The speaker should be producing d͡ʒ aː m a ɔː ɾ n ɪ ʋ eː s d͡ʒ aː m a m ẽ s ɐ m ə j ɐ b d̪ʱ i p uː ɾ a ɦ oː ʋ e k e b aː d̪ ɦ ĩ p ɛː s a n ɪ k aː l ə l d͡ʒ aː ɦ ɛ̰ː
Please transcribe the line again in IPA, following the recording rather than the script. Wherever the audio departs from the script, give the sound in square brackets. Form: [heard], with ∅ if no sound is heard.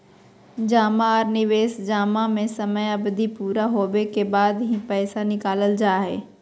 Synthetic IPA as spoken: d͡ʒ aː m a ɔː ɾ n ɪ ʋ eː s d͡ʒ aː m a m ẽ s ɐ m ə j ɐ b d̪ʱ i p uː ɾ a ɦ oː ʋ e k e b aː d̪ ɦ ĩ p ɛː s a n ɪ k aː l ə l d͡ʒ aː ɦ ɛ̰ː